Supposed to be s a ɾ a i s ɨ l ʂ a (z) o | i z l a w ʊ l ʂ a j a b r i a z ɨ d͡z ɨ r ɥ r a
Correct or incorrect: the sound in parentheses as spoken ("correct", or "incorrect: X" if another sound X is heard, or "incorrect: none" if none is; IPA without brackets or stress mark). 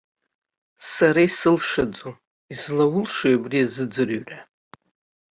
incorrect: d͡z